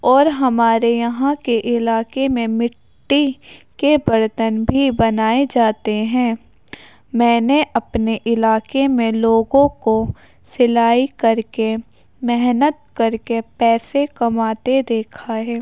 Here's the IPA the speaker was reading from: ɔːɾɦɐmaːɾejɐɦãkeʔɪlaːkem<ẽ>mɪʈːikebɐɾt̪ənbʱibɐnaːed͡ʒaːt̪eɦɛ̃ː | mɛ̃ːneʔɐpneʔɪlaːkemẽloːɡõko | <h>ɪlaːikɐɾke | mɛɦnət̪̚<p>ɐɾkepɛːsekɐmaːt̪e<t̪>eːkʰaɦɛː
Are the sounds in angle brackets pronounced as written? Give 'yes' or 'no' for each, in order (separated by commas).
yes, no, no, no